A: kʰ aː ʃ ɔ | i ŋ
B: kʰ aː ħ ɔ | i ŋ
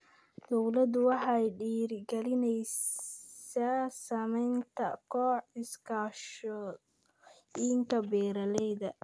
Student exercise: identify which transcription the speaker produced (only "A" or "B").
A